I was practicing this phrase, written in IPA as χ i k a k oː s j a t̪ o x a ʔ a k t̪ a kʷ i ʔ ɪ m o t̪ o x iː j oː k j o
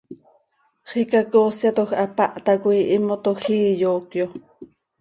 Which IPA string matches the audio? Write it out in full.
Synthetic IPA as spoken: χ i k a k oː s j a t̪ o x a p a ʔ t̪ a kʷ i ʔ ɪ m o t̪ o x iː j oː k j o